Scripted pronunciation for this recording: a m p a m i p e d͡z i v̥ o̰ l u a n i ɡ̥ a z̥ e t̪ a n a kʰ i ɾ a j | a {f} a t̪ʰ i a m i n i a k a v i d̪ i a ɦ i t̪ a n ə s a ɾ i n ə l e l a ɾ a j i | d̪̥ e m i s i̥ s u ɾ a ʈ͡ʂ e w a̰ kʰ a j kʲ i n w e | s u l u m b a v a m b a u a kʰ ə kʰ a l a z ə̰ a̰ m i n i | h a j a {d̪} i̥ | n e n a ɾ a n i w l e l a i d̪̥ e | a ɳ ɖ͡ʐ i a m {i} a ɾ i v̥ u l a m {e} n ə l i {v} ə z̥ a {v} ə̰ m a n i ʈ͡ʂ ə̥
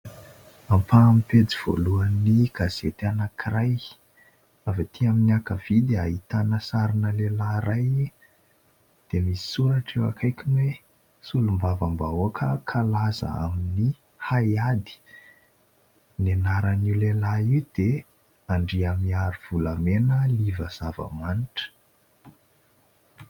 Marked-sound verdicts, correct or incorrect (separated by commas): incorrect, correct, correct, correct, correct, correct